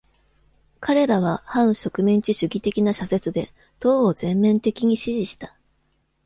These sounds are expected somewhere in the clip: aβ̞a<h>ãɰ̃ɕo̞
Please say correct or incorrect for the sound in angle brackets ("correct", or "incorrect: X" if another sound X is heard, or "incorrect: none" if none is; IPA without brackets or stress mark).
correct